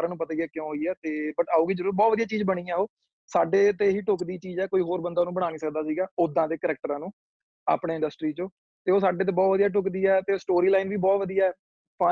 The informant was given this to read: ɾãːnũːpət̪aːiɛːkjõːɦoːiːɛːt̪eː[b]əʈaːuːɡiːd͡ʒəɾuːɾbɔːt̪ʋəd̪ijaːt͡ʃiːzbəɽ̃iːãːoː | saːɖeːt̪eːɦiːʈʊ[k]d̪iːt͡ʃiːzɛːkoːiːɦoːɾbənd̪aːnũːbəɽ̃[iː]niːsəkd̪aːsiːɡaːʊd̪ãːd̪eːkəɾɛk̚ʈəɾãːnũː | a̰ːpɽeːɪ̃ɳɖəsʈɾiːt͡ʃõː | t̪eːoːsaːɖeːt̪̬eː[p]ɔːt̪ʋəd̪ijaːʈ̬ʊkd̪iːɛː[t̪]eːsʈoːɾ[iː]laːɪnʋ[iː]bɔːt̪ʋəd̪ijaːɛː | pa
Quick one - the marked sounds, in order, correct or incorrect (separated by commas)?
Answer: correct, correct, incorrect, incorrect, correct, correct, correct